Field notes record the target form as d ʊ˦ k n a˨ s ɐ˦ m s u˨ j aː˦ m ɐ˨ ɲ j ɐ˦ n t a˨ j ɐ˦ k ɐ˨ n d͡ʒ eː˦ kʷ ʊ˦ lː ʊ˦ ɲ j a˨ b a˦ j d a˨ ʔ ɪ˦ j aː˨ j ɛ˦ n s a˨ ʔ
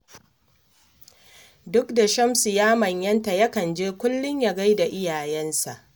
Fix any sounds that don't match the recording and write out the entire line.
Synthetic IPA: d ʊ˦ k d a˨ ʃ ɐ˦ m s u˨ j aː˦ m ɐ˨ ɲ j ɐ˦ n t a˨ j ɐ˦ k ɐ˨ n d͡ʒ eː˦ kʷ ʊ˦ lː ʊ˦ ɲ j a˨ ɡ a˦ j d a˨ ʔ ɪ˦ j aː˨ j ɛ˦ n s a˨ ʔ